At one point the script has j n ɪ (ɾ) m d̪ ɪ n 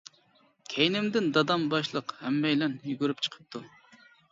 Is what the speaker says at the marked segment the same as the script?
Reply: no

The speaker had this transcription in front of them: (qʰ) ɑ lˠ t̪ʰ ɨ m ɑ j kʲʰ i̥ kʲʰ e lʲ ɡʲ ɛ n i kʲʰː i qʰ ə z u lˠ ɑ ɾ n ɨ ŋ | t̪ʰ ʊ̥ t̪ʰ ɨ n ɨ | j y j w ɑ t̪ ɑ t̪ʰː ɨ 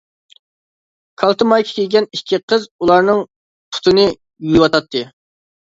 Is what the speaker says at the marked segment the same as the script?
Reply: no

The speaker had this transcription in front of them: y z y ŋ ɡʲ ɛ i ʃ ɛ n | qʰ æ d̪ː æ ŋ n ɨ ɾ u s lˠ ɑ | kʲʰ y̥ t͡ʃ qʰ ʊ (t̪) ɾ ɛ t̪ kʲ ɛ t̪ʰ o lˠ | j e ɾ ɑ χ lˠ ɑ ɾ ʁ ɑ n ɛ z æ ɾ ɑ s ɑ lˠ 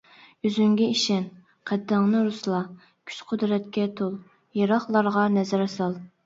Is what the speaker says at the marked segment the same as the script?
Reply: no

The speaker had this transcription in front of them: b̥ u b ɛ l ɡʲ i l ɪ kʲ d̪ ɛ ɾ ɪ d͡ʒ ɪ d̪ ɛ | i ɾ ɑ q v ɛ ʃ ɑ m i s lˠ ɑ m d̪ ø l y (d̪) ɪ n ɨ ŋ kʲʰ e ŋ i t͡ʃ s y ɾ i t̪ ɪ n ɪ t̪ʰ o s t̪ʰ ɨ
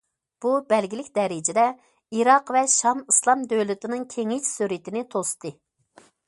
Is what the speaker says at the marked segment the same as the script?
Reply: no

